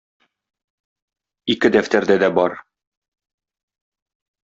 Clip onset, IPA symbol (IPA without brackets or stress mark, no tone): i